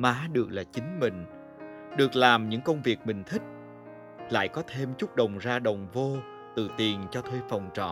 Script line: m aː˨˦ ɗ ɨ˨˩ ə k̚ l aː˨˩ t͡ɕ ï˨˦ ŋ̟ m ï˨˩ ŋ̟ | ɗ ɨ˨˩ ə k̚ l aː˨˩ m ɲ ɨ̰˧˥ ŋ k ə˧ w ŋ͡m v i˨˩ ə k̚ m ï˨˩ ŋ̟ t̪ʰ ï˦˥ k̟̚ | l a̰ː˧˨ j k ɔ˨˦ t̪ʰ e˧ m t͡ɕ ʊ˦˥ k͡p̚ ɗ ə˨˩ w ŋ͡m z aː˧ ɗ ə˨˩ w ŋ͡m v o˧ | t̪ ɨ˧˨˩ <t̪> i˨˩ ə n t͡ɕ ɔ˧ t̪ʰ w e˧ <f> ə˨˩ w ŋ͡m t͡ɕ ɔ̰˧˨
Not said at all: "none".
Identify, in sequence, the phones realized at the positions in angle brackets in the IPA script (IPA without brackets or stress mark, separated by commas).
t̪, f